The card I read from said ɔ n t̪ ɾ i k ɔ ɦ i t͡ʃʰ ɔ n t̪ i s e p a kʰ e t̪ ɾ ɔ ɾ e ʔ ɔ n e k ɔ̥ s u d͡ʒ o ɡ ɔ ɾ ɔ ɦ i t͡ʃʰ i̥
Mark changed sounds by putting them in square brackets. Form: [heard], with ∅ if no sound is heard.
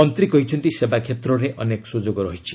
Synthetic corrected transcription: ɔ n t̪ ɾ i k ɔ ɦ i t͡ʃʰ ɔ n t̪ i s e [b] a kʰ e t̪ ɾ ɔ ɾ e ʔ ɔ n e k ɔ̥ s u d͡ʒ o ɡ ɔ ɾ ɔ ɦ i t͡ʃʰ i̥